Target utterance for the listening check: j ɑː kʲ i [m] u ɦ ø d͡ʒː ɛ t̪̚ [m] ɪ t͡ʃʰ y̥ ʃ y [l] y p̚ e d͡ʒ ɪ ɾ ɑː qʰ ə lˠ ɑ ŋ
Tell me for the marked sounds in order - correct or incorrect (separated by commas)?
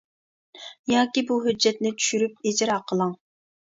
incorrect, incorrect, incorrect